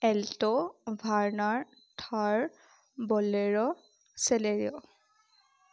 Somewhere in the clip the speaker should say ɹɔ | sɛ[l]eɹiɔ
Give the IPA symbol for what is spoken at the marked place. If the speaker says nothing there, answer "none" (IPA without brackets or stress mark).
l